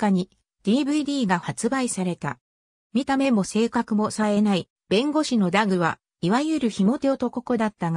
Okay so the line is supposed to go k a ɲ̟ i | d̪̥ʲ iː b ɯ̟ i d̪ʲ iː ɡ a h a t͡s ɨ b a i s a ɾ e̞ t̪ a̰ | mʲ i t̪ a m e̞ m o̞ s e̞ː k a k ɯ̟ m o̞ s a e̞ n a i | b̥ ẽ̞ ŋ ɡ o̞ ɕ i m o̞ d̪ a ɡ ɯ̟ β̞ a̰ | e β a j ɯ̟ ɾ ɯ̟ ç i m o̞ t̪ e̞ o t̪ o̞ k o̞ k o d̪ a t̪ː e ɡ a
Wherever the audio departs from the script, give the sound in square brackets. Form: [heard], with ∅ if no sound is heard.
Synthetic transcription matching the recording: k a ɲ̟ i | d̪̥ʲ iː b ɯ̟ i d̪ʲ iː ɡ a h a t͡s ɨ b a i s a ɾ e̞ t̪ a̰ | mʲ i t̪ a m e̞ m o̞ s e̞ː k a k ɯ̟ m o̞ s a e̞ n a i | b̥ ẽ̞ ŋ ɡ o̞ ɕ i [n] o̞ d̪ a ɡ ɯ̟ β̞ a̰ | [i] β a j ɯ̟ ɾ ɯ̟ ç i m o̞ t̪ e̞ o t̪ o̞ k o̞ k o d̪ a t̪ː [a] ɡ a